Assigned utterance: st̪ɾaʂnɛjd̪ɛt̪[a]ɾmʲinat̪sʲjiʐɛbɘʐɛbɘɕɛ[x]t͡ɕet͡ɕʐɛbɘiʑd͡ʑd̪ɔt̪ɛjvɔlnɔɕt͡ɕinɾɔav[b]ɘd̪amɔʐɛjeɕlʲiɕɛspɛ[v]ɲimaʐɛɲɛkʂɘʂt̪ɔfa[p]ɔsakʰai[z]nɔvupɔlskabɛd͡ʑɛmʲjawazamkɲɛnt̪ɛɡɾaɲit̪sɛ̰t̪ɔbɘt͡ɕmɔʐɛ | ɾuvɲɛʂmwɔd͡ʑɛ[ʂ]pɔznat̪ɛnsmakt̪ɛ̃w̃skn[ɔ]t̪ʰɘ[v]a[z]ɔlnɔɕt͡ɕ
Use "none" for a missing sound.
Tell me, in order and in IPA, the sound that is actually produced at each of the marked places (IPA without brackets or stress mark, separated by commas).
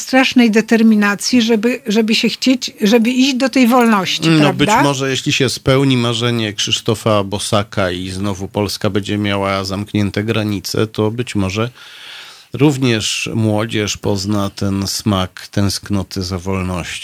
ɛ, x, b, w, b, z, ʂ, ɔ, z, v